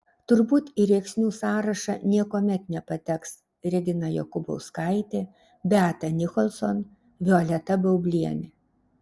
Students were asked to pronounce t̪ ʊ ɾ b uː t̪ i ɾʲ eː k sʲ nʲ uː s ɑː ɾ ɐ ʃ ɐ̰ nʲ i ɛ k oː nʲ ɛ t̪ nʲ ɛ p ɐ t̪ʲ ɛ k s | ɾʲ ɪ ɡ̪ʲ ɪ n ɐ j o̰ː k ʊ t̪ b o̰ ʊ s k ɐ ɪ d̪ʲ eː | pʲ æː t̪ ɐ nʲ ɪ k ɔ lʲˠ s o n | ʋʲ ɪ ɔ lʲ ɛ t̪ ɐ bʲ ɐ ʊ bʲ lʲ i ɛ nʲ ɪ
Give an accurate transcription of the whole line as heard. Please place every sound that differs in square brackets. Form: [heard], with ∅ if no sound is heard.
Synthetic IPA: t̪ ʊ ɾ b uː t̪ i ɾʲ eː k sʲ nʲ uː s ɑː ɾ ɐ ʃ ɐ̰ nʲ i ɛ k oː [mʲ] ɛ t̪ nʲ ɛ p ɐ t̪ʲ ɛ k s | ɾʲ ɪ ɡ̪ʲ ɪ n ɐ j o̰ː k ʊ [∅] b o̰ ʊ s k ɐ ɪ [t̪ʲ] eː | [bʲ] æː t̪ ɐ nʲ ɪ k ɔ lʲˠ s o n | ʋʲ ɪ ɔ lʲ ɛ t̪ ɐ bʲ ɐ ʊ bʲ lʲ i ɛ nʲ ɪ